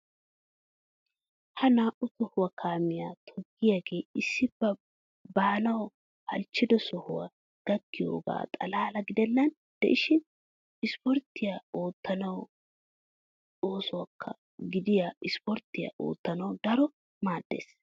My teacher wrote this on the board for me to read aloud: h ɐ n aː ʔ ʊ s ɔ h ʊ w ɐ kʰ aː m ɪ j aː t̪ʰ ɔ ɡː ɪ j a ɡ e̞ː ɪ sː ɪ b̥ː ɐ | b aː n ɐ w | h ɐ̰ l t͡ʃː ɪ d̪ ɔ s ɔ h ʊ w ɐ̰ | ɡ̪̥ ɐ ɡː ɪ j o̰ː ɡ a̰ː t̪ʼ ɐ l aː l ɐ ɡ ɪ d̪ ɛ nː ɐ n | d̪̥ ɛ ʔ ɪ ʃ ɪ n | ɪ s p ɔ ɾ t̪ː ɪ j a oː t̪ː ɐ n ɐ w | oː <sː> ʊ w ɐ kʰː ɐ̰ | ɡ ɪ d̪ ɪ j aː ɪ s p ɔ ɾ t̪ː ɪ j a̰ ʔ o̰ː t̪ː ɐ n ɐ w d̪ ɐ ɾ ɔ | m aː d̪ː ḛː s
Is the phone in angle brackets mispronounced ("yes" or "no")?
yes